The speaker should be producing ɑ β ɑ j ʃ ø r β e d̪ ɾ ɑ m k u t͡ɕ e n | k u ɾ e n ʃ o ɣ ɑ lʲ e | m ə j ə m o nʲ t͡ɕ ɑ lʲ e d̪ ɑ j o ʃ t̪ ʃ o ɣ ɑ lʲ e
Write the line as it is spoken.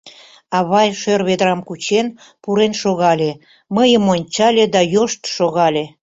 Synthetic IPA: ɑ β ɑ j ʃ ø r β e d̪ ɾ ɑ m k u t͡ɕ e n | p u ɾ e n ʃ o ɣ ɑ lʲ e | m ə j ə m o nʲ t͡ɕ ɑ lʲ e d̪ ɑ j o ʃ t̪ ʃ o ɣ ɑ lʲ e